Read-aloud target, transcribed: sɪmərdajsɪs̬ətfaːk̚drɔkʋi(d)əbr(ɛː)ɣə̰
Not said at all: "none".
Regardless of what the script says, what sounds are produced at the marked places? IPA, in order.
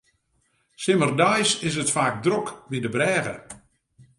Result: d, ɛː

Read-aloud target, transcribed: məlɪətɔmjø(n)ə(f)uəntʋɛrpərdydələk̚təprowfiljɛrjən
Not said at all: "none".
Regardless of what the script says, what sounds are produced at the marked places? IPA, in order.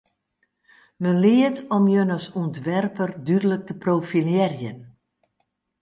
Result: n, s

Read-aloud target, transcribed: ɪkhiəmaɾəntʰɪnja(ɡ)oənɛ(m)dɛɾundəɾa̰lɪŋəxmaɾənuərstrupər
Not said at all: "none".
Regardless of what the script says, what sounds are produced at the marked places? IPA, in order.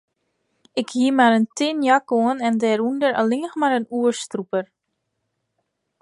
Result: k, n

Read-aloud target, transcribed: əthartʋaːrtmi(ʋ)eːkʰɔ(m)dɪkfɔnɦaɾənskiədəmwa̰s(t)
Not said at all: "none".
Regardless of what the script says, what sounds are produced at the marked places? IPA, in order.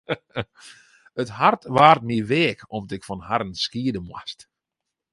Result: ʋ, m, t

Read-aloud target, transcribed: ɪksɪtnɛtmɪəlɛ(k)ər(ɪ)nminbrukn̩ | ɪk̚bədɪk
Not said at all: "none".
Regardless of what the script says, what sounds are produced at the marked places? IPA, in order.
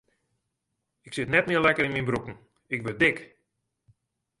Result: k, ɪ

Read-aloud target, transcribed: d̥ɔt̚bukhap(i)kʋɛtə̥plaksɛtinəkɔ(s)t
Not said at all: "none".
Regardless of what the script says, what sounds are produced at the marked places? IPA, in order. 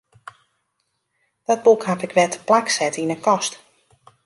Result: ɪ, s

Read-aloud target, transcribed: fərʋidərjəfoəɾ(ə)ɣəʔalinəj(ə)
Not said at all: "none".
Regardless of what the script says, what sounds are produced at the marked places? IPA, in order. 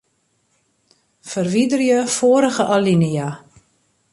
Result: ə, a

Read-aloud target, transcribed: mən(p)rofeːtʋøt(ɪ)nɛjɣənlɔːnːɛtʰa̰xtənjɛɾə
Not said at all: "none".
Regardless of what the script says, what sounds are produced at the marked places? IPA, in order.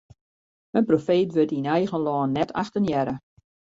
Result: p, i

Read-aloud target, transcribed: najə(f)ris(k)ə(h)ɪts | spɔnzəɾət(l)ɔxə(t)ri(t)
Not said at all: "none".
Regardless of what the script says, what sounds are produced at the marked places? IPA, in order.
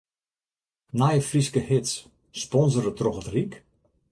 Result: f, k, h, r, t, k

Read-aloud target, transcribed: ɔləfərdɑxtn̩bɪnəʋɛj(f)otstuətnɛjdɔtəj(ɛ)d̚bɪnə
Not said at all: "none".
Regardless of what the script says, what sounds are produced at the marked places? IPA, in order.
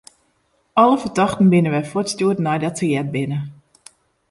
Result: f, ɛ

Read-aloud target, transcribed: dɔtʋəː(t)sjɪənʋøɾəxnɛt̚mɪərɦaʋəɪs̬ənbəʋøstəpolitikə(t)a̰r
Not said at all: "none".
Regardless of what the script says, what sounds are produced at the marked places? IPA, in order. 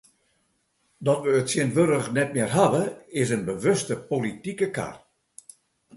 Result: t, k

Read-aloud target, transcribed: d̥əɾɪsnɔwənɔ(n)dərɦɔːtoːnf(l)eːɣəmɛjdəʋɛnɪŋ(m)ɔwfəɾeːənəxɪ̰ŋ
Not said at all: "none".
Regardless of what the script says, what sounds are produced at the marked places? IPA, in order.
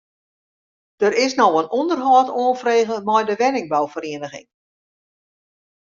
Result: n, r, b

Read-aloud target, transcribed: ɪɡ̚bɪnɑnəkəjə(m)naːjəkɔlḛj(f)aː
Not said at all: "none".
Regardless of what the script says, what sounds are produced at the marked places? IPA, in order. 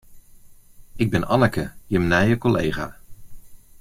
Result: m, χ

